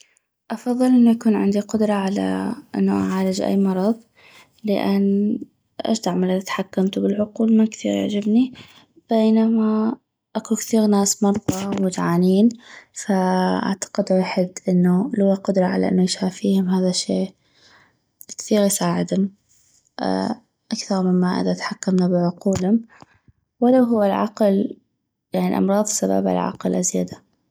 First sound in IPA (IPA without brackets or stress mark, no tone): ʔ